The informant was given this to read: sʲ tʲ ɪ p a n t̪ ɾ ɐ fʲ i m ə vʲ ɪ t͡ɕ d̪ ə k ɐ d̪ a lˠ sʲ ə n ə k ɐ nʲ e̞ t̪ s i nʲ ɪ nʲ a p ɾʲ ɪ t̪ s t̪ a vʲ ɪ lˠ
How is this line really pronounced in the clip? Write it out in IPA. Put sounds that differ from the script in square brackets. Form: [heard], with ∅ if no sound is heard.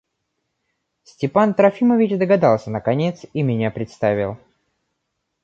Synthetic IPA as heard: sʲ tʲ ɪ p a n t̪ ɾ ɐ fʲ i m ə vʲ ɪ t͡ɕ d̪ ə [ɡ] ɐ d̪ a lˠ sʲ ə n ə k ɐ nʲ e̞ t̪ s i [mʲ] ɪ nʲ a p ɾʲ ɪ t̪ s t̪ a vʲ ɪ lˠ